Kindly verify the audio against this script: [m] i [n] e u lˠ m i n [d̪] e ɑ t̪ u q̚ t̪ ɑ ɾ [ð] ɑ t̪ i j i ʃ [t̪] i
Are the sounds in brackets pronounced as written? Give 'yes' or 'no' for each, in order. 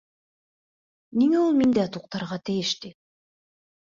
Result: no, no, yes, no, yes

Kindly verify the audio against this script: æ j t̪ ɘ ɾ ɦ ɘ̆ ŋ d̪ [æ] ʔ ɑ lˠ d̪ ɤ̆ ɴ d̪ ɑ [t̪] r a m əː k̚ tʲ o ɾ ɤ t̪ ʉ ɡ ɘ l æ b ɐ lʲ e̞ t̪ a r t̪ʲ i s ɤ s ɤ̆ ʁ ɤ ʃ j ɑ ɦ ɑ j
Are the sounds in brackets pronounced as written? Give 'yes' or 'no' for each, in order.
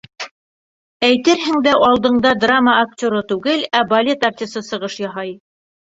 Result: yes, no

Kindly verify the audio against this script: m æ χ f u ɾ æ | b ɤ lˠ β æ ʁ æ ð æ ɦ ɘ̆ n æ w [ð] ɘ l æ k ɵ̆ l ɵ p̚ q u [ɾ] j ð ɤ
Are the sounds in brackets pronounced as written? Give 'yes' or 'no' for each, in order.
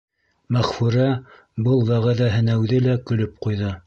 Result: yes, no

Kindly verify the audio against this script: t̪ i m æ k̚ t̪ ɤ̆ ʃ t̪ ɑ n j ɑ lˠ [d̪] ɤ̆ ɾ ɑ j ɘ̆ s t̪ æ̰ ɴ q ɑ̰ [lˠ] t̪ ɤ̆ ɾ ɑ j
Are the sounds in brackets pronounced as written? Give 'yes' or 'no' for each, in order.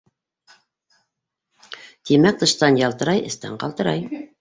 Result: no, yes

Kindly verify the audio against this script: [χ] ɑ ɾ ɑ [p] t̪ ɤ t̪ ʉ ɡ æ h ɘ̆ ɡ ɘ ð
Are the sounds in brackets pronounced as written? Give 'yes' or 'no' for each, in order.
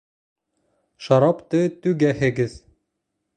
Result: no, yes

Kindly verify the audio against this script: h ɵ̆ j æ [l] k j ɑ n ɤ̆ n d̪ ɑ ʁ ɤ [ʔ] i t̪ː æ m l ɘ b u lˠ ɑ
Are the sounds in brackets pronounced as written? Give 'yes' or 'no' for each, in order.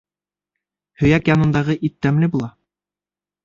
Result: no, yes

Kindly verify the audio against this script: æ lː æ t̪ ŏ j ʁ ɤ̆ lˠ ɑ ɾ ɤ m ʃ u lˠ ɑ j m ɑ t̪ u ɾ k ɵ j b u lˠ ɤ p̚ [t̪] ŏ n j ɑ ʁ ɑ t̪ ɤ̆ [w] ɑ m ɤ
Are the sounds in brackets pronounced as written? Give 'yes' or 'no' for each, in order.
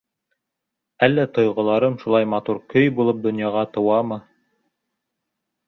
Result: no, yes

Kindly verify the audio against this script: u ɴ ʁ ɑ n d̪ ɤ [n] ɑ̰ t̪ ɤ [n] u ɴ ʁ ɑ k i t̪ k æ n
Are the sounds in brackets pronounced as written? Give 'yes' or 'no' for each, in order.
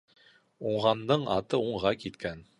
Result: no, no

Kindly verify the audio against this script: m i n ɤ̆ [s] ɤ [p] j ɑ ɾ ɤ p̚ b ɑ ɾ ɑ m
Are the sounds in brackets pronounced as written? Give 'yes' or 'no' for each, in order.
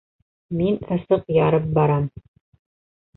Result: yes, no

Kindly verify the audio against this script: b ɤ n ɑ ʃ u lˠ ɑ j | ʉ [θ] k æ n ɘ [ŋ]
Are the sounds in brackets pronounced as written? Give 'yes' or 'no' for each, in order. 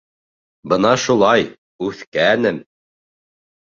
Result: yes, no

